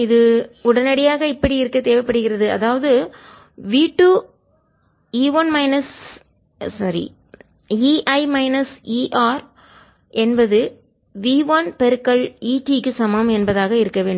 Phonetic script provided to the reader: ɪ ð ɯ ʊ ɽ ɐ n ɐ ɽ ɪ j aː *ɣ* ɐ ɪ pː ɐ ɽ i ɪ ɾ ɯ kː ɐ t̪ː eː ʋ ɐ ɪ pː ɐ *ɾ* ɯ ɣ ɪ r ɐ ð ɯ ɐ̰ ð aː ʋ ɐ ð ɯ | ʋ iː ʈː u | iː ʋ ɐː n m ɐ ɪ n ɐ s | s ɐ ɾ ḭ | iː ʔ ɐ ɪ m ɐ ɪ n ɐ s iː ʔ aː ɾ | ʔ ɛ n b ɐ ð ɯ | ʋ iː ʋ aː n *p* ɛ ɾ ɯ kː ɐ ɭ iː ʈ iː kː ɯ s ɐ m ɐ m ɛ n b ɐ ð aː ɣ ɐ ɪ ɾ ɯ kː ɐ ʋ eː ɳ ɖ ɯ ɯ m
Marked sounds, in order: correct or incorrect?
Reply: correct, incorrect, correct

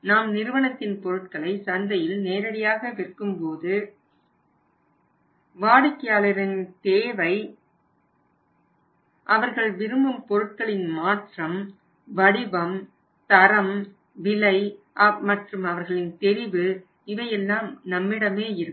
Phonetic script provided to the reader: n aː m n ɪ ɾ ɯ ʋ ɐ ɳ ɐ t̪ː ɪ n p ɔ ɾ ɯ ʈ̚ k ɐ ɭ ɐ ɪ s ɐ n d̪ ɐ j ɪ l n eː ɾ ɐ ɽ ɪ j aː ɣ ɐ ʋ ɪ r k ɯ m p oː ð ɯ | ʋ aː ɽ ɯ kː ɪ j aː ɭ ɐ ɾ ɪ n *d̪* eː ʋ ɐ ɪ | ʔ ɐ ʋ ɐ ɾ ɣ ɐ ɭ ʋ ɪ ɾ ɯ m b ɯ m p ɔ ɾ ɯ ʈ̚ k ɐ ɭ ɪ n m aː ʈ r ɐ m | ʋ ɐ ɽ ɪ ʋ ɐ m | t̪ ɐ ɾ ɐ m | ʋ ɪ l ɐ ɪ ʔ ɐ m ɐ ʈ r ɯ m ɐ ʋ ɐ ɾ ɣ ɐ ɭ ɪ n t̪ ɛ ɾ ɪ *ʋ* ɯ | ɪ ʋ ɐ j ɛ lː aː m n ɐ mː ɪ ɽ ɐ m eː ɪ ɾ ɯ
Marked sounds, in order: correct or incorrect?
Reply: incorrect, correct

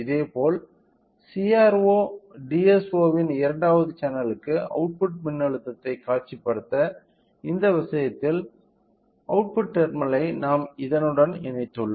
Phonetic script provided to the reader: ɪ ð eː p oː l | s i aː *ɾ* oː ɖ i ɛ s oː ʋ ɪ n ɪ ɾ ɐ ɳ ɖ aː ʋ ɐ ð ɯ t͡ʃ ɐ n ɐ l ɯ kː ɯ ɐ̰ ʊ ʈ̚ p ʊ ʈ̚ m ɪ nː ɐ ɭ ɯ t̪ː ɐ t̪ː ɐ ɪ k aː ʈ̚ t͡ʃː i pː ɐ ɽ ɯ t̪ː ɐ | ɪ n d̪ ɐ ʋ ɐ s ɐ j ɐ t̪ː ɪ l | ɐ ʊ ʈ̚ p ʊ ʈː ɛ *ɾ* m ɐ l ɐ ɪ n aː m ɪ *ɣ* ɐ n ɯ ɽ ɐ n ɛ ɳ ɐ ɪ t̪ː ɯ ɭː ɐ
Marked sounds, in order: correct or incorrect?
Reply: correct, correct, incorrect

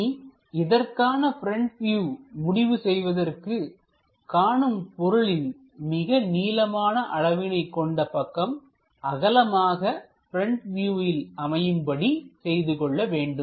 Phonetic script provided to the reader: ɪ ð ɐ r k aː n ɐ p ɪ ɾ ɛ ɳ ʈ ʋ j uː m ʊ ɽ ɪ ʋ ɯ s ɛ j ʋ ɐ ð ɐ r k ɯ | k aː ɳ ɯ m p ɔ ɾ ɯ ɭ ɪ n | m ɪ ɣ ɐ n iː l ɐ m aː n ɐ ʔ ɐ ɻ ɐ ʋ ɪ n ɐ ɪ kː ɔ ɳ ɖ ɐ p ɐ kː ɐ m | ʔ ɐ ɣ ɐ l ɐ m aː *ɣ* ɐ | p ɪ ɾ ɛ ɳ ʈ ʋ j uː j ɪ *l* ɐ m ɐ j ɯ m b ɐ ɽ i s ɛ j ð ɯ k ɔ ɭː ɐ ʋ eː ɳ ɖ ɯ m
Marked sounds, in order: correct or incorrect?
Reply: correct, correct

